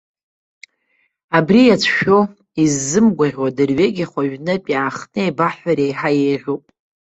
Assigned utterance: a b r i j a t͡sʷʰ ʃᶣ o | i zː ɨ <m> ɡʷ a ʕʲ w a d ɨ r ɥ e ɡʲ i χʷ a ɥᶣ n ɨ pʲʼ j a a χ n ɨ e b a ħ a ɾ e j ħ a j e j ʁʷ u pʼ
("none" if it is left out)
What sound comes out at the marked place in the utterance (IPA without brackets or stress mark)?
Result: m